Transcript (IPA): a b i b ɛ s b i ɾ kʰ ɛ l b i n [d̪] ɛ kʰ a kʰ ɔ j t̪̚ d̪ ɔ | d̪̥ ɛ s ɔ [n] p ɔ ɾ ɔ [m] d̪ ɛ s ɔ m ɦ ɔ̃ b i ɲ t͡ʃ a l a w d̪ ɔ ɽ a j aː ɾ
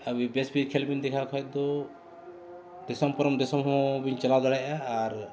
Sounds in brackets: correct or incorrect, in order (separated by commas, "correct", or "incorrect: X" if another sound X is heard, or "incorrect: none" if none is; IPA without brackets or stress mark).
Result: correct, incorrect: m, correct